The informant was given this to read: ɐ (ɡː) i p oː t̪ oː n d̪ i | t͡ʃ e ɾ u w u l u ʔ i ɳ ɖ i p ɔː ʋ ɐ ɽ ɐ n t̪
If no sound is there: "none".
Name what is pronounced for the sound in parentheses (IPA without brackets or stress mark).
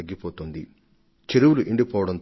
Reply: ɡː